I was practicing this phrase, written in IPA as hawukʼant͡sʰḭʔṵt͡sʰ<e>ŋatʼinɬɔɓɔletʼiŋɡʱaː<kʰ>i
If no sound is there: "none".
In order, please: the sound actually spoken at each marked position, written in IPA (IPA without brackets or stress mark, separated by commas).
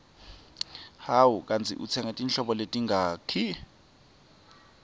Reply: ɛ, kʰ